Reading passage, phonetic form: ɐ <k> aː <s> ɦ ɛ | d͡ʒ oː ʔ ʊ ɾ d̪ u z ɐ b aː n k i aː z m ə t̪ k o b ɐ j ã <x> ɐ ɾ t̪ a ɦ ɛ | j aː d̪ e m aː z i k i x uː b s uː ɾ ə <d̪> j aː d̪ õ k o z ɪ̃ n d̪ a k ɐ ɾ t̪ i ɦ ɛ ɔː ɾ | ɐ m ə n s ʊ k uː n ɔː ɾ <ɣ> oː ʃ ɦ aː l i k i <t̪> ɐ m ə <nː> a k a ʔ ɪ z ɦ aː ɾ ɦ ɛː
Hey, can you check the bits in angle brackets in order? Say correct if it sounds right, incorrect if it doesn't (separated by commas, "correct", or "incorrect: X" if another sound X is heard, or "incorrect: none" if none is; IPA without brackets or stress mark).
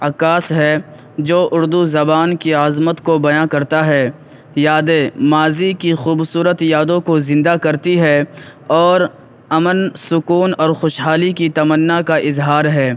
correct, correct, incorrect: k, incorrect: t̪, incorrect: x, correct, correct